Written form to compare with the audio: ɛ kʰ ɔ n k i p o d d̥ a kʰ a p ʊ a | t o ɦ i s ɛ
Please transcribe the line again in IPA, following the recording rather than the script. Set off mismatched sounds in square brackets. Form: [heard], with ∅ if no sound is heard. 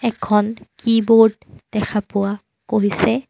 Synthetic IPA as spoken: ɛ kʰ ɔ n k i [b] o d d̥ [ɛ] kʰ a p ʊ a | [k] o ɦ i s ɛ